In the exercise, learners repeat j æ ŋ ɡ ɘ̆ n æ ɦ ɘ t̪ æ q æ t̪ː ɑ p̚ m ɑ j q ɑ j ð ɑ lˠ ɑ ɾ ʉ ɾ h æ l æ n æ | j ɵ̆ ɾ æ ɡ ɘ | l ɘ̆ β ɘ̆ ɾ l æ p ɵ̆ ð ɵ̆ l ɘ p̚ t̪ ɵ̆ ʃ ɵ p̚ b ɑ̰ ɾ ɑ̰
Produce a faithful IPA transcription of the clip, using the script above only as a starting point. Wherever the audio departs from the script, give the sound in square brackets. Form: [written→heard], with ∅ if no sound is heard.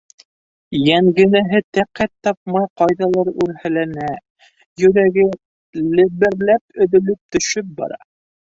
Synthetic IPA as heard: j æ ŋ ɡ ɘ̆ n æ ɦ ɘ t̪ æ q æ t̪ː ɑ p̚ m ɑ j q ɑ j ð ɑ lˠ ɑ ɾ ʉ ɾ h æ l æ n æ | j ɵ̆ ɾ æ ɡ ɘ | l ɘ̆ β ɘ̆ ɾ l æ p ɵ̆ ð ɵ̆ l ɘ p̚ t̪ ɵ̆ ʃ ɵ p̚ b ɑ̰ ɾ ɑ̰